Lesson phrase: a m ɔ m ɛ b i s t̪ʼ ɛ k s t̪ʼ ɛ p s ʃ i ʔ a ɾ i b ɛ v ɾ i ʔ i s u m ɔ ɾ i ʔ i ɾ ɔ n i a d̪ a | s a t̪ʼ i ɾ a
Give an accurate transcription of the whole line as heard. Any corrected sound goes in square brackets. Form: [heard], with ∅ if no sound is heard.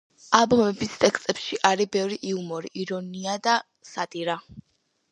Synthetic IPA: a [b] ɔ m ɛ b i s t̪ʼ ɛ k s t̪ʼ ɛ p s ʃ i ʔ a ɾ i b ɛ v ɾ i ʔ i [∅] u m ɔ ɾ i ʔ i ɾ ɔ n i a d̪ a | s a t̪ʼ i ɾ a